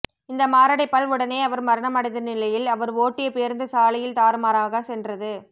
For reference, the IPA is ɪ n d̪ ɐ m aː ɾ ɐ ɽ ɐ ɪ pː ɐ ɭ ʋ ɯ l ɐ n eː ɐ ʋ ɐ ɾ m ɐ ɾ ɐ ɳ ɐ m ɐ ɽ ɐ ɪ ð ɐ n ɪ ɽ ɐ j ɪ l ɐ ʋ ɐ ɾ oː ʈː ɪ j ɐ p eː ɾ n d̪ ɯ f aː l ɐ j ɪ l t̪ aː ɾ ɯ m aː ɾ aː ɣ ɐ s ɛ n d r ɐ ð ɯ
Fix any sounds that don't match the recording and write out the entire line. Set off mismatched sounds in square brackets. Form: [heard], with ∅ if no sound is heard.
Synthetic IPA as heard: ɪ n d̪ ɐ m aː ɾ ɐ ɽ ɐ ɪ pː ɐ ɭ ʋ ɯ [ɽ] ɐ n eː ɐ ʋ ɐ ɾ m ɐ ɾ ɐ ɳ ɐ m ɐ ɽ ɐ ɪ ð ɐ n ɪ [l] ɐ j ɪ l ɐ ʋ ɐ ɾ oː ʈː ɪ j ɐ p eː ɾ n d̪ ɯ [s] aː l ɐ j ɪ l t̪ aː ɾ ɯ m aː ɾ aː ɣ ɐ s ɛ n d r ɐ ð ɯ